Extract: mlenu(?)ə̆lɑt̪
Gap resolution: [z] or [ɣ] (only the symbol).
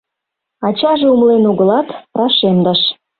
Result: ɣ